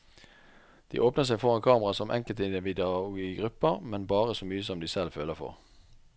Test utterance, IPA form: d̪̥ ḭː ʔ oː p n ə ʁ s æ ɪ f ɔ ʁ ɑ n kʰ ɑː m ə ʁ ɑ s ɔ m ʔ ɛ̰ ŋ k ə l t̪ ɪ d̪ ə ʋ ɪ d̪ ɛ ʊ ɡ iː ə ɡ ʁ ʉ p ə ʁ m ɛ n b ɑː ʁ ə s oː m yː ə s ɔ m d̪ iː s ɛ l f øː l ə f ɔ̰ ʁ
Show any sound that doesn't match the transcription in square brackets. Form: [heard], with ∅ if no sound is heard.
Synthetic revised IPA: d̪̥ ḭː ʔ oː p n ə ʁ s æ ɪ f ɔ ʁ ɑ n kʰ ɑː m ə ʁ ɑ s ɔ m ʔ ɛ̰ ŋ k ə l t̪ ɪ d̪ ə ʋ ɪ d̪ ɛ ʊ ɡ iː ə ɡ ʁ ʉ p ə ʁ m ɛ n b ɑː ʁ ə s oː m yː ə s ɔ m d̪ iː s ɛ l f øː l ə f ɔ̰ ʁ